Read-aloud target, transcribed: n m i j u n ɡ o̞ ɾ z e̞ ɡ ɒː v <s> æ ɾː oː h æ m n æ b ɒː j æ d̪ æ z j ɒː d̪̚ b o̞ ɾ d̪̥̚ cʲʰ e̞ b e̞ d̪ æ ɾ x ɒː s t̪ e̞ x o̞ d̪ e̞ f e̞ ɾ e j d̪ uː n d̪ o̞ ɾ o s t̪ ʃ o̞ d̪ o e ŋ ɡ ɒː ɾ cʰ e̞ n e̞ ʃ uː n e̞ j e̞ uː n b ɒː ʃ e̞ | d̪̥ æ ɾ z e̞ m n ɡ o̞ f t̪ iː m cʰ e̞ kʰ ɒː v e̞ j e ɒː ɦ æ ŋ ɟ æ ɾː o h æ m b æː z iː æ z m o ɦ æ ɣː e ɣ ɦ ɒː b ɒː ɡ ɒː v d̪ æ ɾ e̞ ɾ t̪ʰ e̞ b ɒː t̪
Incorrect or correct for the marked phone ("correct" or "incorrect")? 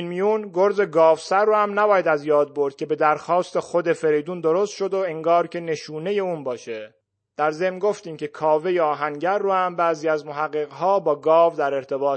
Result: correct